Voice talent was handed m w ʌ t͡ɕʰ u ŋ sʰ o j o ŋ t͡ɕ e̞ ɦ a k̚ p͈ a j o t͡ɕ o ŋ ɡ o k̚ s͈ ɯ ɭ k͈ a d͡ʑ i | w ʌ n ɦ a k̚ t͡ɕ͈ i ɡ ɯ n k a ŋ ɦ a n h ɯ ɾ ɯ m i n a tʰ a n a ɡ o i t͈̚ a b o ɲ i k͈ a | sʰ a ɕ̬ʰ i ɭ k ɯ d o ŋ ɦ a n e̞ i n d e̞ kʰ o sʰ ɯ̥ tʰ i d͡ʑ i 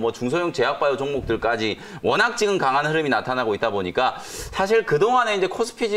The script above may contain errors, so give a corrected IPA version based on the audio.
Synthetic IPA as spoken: m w ʌ t͡ɕ u ŋ sʰ o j o ŋ t͡ɕ e̞ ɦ a k̚ p͈ a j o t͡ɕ o ŋ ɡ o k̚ t͈ ɯ ɭ k͈ a d͡ʑ i | w ʌ n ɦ a k̚ t͡ɕ͈ i ɡ ɯ n k a ŋ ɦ a n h ɯ ɾ ɯ m i n a tʰ a n a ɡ o i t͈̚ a b o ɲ i k͈ a | sʰ a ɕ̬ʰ i ɭ k ɯ d o ŋ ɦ a n e̞ i n d͡ʑ e̞ kʰ o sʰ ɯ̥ pʰ i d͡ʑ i